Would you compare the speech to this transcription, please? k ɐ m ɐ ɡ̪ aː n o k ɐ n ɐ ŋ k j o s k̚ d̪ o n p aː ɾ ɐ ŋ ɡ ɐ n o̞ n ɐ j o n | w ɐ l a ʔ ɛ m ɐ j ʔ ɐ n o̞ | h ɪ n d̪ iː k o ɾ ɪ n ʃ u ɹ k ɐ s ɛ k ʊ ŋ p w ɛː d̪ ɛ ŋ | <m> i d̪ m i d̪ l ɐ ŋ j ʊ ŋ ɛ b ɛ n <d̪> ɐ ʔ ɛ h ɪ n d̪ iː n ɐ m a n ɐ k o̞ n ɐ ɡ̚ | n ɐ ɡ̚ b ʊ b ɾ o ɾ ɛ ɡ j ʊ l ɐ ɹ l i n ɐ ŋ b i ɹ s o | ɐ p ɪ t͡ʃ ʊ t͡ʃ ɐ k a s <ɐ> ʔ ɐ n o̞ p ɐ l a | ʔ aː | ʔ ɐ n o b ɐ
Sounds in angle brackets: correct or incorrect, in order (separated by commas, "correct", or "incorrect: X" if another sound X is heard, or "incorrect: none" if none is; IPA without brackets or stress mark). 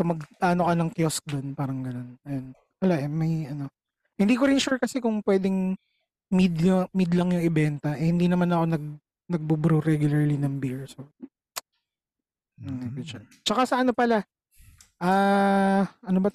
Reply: correct, incorrect: t̪, correct